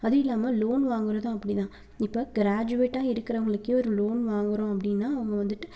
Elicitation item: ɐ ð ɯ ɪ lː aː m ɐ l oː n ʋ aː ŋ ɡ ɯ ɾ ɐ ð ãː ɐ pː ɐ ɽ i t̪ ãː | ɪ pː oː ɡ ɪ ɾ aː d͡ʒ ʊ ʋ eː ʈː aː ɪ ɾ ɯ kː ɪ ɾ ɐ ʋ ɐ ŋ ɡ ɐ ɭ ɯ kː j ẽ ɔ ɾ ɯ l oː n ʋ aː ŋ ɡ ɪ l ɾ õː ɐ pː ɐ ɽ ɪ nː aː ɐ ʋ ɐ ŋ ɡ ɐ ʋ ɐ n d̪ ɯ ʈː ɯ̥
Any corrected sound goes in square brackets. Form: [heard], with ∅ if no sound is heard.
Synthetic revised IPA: ɐ ð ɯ ɪ lː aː m ɐ l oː n ʋ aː ŋ ɡ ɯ ɾ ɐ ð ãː ɐ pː ɐ ɽ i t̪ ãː | ɪ pː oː ɡ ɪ ɾ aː d͡ʒ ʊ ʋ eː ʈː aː ɪ ɾ ɯ kː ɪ ɾ ɐ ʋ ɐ ŋ ɡ ɐ ɭ ɯ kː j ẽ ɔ ɾ ɯ l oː n ʋ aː ŋ ɡ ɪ [∅] ɾ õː ɐ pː ɐ ɽ ɪ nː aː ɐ ʋ ɐ ŋ ɡ ɐ ʋ ɐ n d̪ ɯ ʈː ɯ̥